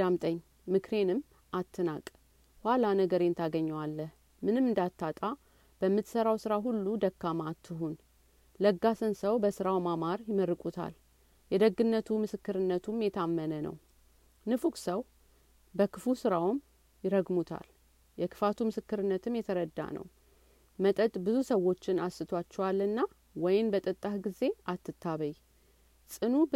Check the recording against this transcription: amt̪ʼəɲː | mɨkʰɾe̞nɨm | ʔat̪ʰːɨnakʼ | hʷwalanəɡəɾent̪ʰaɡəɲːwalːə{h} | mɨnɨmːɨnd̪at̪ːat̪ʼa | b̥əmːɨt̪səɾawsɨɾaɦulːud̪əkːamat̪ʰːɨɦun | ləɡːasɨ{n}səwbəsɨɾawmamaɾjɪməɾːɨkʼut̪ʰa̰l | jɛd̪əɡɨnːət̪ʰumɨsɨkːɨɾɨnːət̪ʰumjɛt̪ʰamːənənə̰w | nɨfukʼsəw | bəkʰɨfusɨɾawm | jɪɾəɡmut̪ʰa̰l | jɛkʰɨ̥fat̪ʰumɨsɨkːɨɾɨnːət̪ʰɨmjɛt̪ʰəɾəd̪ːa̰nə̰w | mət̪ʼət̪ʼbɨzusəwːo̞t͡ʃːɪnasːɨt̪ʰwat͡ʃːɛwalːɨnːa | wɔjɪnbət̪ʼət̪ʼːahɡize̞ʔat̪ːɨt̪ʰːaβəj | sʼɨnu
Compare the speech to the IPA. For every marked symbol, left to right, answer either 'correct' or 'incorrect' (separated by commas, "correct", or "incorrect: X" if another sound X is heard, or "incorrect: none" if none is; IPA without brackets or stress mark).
correct, correct